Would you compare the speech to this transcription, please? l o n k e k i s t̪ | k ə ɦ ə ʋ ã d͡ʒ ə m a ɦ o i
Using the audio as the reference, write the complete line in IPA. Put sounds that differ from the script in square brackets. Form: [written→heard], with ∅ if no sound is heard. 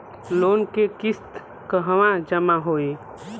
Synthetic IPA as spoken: l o n k e k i s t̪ | k ə ɦ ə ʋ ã d͡ʒ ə m a ɦ o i